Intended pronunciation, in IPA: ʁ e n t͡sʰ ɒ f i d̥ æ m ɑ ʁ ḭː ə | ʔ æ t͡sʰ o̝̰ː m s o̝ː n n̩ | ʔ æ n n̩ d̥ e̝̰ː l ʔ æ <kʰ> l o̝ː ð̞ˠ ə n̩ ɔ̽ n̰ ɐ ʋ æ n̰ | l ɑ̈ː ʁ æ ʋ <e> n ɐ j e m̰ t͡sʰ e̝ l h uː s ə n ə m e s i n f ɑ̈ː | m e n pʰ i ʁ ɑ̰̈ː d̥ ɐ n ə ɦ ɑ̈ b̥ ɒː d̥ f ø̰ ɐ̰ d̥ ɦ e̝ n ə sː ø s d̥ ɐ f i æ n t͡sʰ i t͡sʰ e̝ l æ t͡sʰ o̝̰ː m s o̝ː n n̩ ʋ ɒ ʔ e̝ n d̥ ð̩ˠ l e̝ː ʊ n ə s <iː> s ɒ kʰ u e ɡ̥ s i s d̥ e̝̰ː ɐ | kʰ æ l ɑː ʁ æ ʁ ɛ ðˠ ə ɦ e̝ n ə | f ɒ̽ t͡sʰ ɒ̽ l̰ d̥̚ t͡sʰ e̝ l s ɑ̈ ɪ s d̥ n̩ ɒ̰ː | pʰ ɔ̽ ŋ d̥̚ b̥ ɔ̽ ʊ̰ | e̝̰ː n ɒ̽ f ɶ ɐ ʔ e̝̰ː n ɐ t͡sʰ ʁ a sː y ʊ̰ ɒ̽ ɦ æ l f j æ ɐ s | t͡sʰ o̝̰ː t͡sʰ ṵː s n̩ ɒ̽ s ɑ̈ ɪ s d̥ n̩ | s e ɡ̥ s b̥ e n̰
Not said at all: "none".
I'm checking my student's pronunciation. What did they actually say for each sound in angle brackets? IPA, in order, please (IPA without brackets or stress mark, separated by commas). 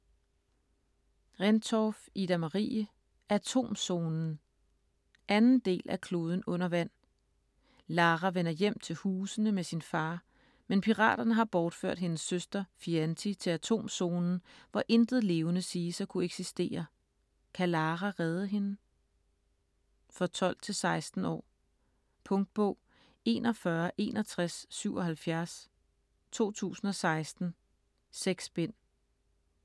kʰ, e, iː